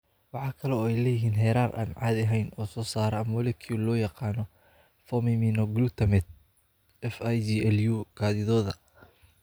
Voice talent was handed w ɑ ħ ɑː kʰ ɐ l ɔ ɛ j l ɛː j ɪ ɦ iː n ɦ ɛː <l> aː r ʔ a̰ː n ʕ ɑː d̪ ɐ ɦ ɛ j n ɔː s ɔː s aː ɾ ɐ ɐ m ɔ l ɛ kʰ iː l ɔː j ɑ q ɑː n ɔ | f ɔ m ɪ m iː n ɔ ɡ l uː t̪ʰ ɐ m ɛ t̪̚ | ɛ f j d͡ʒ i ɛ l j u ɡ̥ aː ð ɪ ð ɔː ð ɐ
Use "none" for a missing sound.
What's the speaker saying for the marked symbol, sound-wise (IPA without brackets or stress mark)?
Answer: ɾ